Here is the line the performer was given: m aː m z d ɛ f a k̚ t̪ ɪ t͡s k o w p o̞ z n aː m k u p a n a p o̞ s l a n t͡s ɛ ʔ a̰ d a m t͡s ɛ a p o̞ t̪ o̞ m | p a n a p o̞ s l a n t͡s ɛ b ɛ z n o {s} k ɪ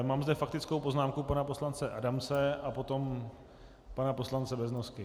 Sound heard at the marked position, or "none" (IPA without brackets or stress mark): s